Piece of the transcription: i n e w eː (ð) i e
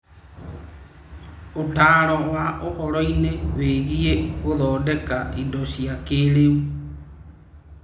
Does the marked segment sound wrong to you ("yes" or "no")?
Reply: yes